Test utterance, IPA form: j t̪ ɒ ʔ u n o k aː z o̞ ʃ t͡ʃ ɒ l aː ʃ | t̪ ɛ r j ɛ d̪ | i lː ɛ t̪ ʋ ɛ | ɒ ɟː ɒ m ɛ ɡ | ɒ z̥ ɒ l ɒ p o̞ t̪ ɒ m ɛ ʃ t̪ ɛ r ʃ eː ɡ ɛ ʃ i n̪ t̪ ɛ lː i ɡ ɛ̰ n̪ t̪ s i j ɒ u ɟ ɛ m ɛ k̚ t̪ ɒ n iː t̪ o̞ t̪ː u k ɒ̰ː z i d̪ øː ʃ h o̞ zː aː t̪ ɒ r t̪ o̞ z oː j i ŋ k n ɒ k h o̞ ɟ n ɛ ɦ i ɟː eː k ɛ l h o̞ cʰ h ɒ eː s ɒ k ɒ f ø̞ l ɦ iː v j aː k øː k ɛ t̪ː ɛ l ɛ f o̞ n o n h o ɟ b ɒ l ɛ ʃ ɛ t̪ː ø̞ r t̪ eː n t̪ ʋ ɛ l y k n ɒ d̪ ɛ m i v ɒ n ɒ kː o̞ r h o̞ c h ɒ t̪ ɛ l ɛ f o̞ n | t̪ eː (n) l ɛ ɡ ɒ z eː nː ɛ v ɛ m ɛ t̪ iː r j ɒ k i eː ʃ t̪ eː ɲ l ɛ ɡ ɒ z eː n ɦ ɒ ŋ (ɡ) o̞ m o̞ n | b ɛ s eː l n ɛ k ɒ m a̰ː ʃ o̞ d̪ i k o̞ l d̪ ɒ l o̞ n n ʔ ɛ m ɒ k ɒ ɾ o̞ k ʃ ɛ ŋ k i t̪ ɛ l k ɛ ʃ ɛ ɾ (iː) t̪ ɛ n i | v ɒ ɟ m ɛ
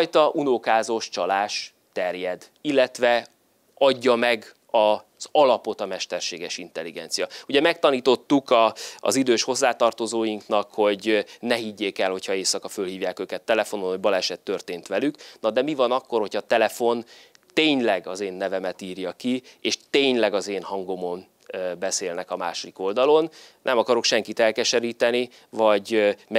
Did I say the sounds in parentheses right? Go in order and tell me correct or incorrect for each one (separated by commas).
incorrect, correct, correct